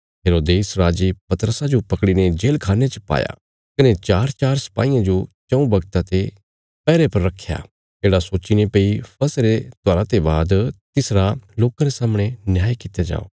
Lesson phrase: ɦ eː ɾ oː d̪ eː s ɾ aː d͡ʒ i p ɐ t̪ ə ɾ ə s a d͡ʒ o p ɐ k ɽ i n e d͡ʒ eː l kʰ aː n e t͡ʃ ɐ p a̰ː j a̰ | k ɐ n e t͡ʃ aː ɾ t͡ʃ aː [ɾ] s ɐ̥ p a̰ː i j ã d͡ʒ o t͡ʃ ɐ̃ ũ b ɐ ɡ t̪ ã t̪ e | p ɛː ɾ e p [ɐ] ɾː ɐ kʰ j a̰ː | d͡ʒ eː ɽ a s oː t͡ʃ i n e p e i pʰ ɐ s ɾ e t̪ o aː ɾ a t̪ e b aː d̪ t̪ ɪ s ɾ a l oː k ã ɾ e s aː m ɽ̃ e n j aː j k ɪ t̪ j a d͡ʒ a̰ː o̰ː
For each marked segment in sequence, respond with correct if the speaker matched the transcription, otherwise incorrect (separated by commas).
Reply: correct, correct